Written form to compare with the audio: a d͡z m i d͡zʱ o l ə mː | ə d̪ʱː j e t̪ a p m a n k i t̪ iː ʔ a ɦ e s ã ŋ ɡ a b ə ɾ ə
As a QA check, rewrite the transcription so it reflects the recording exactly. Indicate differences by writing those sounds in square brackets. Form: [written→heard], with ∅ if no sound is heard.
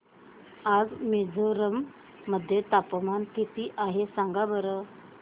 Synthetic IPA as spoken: a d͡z m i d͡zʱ o [l→ɾ] ə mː | ə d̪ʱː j e t̪ a p m a n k i t̪ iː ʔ a ɦ e s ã ŋ ɡ a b ə ɾ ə